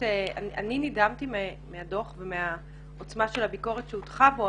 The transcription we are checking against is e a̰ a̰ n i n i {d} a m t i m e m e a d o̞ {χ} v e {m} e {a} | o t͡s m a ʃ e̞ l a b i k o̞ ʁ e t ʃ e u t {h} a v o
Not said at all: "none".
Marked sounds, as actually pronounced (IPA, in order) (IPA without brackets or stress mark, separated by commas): d, χ, m, a, χ